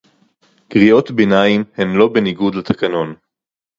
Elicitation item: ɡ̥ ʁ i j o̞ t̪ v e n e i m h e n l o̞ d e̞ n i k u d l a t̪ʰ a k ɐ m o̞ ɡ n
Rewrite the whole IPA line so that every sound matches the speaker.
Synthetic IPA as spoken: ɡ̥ ʁ i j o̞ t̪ b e n a i m h e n l o̞ b e̞ n i ɡ u d l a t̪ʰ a k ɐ n o̞ n